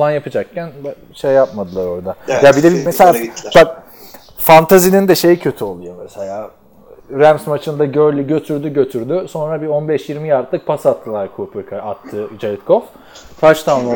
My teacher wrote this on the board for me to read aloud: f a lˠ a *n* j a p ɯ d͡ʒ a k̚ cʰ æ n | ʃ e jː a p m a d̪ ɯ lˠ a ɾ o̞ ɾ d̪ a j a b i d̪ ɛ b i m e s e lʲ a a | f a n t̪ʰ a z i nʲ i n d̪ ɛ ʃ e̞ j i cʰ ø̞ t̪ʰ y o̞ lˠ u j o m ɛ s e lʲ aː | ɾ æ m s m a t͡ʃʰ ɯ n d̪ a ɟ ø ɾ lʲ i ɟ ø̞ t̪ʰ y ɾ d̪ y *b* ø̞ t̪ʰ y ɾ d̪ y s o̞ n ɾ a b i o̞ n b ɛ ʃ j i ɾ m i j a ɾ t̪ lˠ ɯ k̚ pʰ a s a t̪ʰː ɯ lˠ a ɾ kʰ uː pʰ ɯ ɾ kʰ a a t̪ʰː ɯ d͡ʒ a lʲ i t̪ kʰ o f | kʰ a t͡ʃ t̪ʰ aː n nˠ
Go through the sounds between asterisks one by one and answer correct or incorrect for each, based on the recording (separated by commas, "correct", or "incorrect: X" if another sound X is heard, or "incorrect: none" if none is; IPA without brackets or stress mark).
correct, incorrect: ɟ